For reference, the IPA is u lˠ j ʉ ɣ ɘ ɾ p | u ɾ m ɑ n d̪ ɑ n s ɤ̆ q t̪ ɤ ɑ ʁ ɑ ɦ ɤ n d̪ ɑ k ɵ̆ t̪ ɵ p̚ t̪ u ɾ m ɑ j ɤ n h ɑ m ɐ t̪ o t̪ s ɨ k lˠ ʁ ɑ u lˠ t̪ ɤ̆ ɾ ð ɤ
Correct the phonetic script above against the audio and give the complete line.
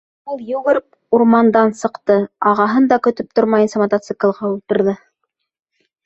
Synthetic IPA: u lˠ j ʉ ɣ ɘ ɾ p | u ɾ m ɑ n d̪ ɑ n s ɤ̆ q t̪ ɤ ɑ ʁ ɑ ɦ ɤ n d̪ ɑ k ɵ̆ t̪ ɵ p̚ t̪ o ɾ m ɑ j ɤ n s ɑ m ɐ t̪ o t̪ s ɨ k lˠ ʁ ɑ u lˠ t̪ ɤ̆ ɾ ð ɤ